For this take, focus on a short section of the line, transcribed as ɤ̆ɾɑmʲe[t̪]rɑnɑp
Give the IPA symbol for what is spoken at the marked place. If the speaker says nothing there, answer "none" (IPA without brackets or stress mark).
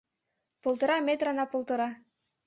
t̪